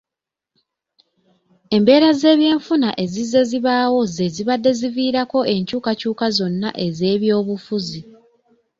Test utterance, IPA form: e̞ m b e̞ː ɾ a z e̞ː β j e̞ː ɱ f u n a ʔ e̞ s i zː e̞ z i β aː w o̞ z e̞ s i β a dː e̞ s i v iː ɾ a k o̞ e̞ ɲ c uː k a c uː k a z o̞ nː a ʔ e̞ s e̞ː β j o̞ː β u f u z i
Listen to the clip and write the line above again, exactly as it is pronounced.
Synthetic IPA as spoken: e̞ m b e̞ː ɾ a z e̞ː β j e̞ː ɱ f u n a ʔ e̞ z i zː e̞ z i β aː w o̞ z e̞ z i β a dː e̞ z i v iː ɾ a k o̞ e̞ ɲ c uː k a c uː k a z o̞ nː a ʔ e̞ z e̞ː β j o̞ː β u f u z i